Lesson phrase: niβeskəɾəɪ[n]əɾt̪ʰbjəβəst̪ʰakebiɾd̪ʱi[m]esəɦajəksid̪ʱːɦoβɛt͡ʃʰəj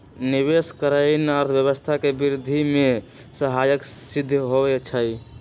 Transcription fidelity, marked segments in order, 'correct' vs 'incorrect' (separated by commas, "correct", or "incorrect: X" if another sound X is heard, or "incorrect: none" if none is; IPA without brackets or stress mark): correct, correct